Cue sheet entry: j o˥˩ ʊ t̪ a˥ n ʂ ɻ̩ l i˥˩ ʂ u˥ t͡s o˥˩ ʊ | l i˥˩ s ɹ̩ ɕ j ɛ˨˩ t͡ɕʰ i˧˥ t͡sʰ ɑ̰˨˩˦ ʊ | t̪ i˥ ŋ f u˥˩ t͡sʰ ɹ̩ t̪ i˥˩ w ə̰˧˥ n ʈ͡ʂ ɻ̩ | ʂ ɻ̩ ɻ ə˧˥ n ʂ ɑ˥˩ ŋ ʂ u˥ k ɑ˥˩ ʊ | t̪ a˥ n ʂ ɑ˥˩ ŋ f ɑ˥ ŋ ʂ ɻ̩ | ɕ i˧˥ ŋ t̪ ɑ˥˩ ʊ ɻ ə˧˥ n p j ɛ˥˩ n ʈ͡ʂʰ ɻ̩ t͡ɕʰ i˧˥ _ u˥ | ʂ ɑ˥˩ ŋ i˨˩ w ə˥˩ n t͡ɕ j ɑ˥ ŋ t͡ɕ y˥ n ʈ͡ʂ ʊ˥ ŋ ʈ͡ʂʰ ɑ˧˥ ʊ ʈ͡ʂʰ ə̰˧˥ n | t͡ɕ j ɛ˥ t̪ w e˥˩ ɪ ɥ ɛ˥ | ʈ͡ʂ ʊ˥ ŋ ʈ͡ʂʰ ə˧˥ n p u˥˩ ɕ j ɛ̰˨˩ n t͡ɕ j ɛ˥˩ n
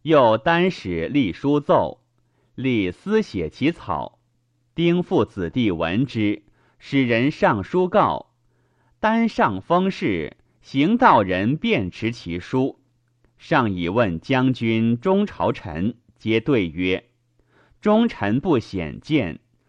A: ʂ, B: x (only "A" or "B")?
A